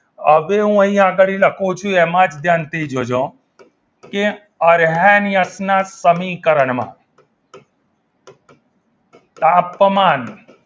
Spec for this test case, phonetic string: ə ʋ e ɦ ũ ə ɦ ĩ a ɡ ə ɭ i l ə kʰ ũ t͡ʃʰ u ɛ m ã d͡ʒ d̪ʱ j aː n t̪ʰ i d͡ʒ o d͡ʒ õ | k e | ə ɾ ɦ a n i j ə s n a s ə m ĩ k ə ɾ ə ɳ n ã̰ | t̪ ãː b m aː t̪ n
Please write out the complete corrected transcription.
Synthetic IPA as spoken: ə ʋ e ɦ ũ ə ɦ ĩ a ɡ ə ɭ i l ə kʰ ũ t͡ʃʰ u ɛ m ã d͡ʒ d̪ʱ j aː n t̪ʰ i d͡ʒ o d͡ʒ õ | k e | ə ɾ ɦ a n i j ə s n a s ə m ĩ k ə ɾ ə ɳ m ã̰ | t̪ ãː p m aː n